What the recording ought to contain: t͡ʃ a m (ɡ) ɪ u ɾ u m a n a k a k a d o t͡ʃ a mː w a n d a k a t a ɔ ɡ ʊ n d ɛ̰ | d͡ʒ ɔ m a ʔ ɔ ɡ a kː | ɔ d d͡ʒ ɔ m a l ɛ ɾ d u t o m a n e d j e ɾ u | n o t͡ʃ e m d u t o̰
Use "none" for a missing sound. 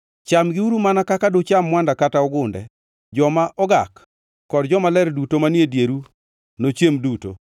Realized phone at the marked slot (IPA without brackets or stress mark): ɡ